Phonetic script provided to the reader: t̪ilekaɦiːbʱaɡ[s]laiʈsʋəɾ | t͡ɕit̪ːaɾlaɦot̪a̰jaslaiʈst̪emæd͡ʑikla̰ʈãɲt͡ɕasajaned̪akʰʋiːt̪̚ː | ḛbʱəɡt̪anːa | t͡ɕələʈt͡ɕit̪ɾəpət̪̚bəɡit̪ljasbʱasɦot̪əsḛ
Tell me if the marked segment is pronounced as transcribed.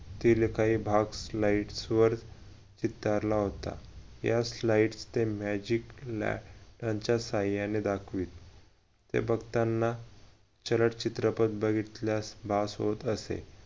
yes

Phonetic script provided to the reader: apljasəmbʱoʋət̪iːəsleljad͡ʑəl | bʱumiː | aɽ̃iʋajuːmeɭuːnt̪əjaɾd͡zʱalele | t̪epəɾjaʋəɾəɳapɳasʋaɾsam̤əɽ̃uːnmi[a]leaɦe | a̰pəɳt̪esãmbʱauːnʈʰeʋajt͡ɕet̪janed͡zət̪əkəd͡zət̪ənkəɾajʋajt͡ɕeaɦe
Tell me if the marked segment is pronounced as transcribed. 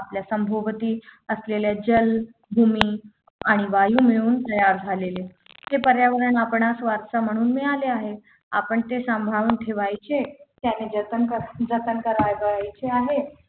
yes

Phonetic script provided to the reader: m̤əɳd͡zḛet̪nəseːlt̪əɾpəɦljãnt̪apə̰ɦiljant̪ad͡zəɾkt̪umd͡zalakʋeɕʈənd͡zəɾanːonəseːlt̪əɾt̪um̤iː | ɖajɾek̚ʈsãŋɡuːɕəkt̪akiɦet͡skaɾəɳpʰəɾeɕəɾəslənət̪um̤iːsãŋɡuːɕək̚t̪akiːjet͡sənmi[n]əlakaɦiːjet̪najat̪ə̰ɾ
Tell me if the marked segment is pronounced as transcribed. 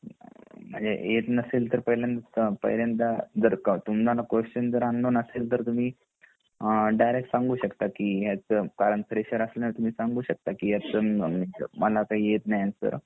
no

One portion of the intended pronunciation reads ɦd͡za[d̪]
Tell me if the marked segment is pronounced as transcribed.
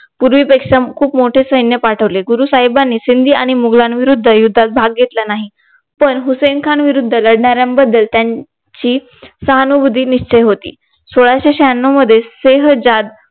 yes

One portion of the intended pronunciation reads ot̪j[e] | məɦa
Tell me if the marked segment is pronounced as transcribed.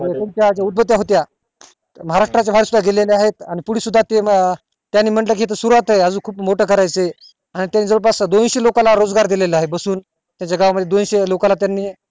no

